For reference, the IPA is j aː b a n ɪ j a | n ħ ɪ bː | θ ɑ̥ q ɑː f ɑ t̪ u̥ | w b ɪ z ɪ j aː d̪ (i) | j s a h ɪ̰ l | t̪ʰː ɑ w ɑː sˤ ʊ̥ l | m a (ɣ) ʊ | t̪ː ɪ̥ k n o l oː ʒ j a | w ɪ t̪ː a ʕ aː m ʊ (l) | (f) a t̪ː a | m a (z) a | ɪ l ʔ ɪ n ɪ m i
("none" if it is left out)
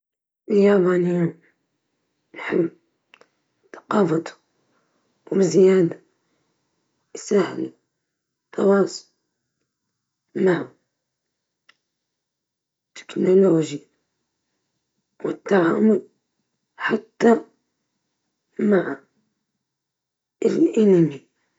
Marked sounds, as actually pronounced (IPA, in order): a, ʕ, l, ħ, ʕ

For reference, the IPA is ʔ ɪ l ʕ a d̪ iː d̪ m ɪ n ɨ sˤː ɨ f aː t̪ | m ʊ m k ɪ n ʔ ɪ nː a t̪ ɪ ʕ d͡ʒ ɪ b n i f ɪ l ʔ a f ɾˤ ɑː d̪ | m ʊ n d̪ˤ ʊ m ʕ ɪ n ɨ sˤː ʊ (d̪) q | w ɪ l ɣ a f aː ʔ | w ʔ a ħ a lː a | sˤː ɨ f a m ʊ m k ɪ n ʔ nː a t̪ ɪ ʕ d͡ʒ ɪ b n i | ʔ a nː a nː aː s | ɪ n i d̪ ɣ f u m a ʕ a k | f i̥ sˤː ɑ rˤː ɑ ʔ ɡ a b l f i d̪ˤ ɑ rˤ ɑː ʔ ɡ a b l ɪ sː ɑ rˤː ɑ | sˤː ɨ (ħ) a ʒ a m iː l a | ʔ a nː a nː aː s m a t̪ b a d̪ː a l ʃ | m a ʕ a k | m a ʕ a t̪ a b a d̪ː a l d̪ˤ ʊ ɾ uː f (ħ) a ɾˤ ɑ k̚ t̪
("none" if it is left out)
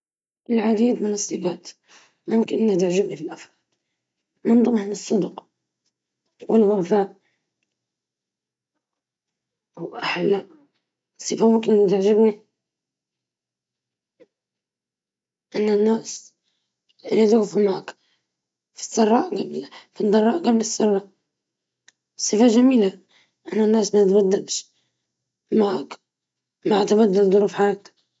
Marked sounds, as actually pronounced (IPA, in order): d̪, f, ħ

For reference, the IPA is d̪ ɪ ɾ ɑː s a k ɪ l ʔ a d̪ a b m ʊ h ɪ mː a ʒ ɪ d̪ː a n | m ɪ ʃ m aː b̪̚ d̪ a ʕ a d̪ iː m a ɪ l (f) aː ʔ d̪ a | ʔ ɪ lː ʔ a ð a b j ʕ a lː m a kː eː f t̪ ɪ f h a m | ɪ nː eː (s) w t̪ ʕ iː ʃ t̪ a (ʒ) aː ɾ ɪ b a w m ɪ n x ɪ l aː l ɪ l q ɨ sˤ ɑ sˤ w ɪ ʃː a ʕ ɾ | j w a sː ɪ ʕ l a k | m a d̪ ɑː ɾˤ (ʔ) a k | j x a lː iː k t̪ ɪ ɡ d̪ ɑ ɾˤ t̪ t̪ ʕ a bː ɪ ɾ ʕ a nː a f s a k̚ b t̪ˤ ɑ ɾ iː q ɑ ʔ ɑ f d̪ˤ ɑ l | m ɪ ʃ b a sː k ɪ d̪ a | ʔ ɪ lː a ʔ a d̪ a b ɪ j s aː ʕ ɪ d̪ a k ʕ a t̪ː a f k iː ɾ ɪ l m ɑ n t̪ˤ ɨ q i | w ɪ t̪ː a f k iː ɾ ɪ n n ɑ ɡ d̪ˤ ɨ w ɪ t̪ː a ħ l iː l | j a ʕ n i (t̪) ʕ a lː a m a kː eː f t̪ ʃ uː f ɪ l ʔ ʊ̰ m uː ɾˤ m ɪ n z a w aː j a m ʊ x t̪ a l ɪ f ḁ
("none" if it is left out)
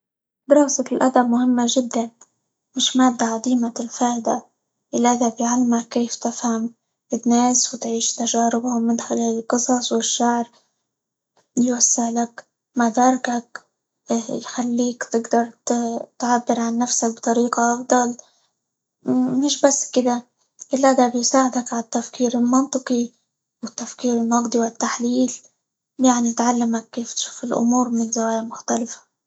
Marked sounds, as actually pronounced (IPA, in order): f, s, ʒ, k, t̪

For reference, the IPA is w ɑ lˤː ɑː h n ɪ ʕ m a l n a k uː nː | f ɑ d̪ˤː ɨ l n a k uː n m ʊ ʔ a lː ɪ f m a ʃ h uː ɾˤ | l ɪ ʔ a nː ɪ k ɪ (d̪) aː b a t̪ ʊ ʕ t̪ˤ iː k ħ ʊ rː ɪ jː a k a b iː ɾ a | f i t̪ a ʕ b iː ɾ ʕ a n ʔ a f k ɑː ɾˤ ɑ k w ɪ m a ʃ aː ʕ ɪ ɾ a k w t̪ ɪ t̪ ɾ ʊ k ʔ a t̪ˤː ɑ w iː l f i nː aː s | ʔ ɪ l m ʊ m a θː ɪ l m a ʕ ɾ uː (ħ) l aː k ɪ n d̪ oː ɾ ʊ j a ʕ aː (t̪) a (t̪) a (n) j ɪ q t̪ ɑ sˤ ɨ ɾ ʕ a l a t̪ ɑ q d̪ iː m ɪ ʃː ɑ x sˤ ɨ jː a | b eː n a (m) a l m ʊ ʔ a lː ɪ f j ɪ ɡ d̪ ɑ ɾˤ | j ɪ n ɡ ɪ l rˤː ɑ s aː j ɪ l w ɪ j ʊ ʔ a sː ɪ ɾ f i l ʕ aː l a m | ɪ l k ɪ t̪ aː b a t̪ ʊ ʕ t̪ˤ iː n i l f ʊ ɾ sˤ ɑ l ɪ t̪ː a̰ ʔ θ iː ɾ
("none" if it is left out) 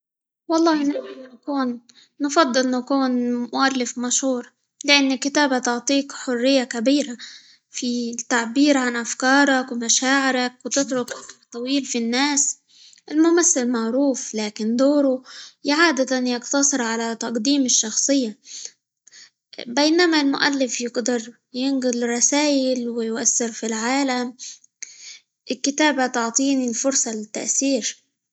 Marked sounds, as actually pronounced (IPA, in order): t̪, f, d̪, t̪, n, m

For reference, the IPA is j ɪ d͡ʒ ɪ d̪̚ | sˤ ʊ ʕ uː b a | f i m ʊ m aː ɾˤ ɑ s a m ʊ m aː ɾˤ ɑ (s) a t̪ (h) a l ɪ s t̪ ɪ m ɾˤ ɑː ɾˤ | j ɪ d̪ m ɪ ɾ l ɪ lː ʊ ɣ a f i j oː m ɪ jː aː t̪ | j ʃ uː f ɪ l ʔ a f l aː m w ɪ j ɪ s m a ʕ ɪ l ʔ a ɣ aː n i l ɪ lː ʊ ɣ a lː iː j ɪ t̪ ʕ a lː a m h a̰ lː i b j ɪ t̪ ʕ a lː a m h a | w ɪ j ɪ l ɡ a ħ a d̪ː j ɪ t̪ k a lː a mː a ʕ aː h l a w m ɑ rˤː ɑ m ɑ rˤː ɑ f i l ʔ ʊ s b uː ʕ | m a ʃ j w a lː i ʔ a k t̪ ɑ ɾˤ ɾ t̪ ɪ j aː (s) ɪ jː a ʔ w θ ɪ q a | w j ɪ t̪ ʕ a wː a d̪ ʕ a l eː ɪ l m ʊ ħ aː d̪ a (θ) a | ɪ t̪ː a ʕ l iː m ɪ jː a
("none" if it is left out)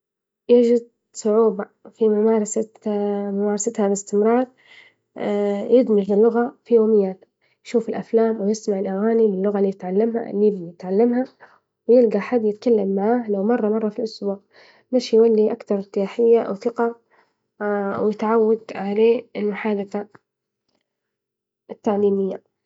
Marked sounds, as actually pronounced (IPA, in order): s, h, ħ, θ

